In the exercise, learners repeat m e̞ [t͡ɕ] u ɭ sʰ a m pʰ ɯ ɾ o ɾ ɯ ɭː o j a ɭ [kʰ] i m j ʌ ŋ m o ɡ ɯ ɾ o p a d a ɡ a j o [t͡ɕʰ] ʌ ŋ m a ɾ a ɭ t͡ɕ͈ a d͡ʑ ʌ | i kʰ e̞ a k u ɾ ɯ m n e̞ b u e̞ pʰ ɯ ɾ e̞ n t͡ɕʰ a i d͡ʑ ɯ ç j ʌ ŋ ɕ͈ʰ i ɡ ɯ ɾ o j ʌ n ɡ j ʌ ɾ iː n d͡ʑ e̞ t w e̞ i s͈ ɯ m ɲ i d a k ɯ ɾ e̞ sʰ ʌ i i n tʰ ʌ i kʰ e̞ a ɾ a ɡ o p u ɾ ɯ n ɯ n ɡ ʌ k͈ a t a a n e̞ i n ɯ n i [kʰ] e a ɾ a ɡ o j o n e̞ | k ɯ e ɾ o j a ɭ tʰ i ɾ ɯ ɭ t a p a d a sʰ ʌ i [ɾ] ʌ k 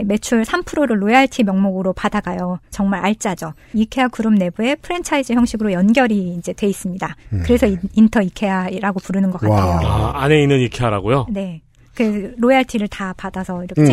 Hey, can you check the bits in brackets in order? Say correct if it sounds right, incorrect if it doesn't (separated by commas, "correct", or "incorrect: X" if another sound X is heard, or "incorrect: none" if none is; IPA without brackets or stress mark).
incorrect: t͡ɕʰ, incorrect: tʰ, incorrect: t͡ɕ, correct, correct